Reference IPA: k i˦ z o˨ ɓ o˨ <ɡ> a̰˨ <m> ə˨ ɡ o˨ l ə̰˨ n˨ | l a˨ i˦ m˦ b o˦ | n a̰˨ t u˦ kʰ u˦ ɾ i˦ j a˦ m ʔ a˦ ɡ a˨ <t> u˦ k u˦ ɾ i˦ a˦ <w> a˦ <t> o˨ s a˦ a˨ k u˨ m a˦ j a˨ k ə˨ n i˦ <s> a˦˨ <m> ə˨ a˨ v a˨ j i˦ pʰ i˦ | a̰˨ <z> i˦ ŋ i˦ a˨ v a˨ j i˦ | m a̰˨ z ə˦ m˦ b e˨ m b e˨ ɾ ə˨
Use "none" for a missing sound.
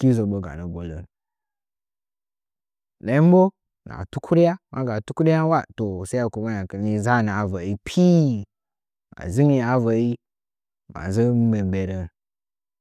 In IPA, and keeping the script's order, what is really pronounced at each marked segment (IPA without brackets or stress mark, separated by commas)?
ɡ, n, t, w, t, z, n, z